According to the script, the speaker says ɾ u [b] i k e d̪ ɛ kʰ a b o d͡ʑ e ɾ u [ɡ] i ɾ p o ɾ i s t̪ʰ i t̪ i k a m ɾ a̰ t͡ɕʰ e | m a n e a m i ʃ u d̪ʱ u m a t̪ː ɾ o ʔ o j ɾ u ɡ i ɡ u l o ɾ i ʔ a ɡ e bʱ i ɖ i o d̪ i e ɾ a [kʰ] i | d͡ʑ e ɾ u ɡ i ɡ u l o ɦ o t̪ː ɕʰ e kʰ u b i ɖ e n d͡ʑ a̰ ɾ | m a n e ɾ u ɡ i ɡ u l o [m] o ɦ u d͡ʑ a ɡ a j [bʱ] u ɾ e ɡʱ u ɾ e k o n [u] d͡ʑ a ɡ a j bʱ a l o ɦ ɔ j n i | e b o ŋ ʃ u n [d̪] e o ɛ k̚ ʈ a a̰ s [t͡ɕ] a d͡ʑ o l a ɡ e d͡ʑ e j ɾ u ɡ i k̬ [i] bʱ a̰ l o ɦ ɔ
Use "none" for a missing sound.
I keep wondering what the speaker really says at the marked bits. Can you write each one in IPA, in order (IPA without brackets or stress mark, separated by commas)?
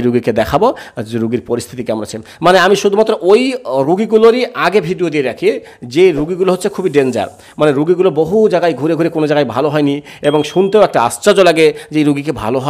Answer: ɡ, ɡ, kʰ, b, ɡʱ, o, t̪, t͡ɕ, e